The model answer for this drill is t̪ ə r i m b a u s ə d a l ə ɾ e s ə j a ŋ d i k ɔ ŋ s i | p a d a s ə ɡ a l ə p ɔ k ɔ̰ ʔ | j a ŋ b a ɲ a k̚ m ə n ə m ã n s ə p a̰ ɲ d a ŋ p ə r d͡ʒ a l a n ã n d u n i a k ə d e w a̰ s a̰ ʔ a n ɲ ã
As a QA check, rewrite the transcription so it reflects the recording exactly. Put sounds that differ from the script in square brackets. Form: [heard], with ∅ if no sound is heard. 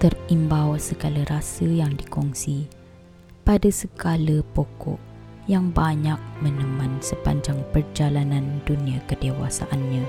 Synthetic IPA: t̪ ə r i m b a [w] s ə [ɡ] a l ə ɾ [a] s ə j a ŋ d i k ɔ ŋ s i | p a d a s ə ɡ a l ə p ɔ k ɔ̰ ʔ | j a ŋ b a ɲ a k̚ m ə n ə m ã n s ə p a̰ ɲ [d͡ʒ] a ŋ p ə r d͡ʒ a l a n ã n d u n i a k ə d e w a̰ s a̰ ʔ a n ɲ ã